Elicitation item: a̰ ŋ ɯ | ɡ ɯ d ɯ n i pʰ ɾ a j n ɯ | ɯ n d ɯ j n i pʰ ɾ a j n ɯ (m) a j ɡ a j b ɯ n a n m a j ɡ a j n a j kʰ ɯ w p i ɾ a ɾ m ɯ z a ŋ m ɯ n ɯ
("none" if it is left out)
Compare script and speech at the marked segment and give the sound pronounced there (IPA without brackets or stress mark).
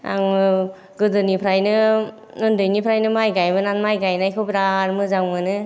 m